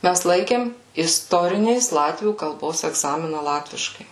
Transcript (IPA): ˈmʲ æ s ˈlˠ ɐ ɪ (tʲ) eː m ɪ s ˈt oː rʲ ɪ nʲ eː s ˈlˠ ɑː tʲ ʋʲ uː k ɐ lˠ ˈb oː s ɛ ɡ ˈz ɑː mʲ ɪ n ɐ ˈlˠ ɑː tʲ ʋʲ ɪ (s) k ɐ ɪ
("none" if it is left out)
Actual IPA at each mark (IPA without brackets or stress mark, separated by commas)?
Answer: kʲ, ʃ